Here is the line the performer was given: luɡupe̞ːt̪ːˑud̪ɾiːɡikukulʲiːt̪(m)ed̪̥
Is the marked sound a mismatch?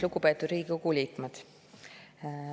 no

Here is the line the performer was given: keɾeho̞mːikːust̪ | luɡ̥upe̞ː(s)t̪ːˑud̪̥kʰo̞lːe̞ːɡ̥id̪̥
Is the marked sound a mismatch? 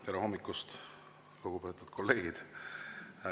yes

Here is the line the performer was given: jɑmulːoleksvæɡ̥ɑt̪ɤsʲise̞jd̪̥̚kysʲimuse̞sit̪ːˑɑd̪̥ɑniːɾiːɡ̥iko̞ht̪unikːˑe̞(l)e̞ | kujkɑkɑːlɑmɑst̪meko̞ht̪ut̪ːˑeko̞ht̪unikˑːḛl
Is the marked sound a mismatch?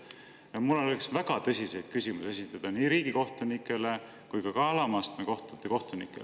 no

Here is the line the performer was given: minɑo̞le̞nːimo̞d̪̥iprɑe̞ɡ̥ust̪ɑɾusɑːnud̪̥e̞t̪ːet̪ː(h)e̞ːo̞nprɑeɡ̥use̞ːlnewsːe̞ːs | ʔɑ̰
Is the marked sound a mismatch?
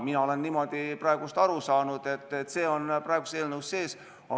yes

